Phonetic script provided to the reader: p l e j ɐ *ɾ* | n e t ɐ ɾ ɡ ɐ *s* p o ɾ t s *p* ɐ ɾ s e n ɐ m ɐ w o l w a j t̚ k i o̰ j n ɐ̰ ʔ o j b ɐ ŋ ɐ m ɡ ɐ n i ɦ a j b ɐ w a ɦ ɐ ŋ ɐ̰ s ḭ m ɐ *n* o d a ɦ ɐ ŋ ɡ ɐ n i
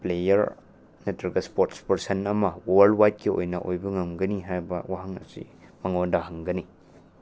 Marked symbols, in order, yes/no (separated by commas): yes, yes, yes, no